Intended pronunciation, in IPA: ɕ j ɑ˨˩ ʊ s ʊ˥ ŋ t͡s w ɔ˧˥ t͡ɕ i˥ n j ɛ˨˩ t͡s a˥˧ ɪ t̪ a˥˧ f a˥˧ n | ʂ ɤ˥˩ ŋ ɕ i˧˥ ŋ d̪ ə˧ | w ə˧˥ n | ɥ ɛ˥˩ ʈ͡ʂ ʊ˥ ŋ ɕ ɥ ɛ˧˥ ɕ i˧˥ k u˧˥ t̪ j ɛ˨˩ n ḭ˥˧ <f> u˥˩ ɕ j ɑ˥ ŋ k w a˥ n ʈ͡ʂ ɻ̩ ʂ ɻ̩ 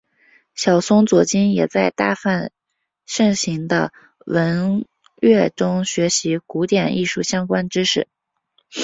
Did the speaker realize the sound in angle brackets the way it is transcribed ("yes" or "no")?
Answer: no